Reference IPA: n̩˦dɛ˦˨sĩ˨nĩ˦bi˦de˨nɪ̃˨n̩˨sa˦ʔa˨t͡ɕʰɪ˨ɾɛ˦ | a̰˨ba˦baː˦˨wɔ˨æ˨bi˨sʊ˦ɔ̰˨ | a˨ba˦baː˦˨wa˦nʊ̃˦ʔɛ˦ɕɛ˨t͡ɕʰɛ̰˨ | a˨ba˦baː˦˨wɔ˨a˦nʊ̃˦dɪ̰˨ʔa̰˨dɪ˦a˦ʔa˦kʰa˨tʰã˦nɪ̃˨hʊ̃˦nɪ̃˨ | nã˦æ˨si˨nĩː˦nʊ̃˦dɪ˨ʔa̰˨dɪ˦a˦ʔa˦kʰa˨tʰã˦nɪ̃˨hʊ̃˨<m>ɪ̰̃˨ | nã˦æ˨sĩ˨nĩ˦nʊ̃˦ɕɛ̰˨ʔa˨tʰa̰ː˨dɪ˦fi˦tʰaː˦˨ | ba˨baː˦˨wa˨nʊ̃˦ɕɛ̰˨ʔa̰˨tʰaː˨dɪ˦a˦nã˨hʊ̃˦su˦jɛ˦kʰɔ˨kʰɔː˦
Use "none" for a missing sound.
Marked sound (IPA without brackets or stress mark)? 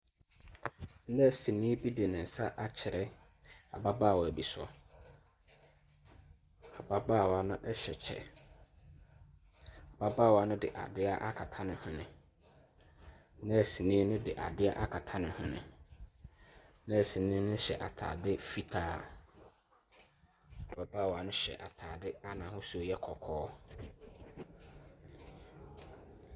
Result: n